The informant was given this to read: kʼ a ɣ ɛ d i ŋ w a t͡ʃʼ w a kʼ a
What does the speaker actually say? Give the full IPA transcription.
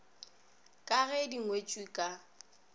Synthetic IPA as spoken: kʼ a ɣ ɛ d i ŋ w e t͡ʃʼ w i kʼ a